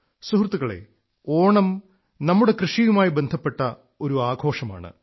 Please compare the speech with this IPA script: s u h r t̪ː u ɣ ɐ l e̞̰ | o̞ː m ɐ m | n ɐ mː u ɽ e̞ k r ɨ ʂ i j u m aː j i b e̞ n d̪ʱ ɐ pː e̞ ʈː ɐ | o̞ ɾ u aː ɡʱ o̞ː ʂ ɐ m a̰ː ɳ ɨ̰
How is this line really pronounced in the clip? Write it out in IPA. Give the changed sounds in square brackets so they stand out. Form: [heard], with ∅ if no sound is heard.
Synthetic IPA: s u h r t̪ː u ɣ ɐ [ɭ] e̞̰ | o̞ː [ɳ] ɐ m | n ɐ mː u ɽ e̞ k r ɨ ʂ i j u m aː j i b e̞ n d̪ʱ ɐ pː e̞ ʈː ɐ | o̞ ɾ u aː ɡʱ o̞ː ʂ ɐ m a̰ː ɳ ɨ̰